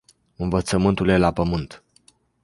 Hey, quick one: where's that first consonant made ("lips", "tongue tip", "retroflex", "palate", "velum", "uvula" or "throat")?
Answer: tongue tip